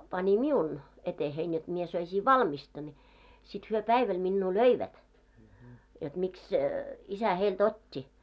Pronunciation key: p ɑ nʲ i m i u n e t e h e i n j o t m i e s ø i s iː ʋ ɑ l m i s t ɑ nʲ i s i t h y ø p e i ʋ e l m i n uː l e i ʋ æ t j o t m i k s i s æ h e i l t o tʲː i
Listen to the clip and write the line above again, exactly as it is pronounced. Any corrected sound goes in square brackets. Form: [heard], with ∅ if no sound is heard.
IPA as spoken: p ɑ nʲ i m i u n e t e h e i n j o t m i e s ø i s iː ʋ ɑ l m i s t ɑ nʲ i s i t h y ø p [æ] i ʋ [æ] l m i [nː] uː l [ø] i ʋ æ t j o t m i k s i s æ h e i l t o tʲː i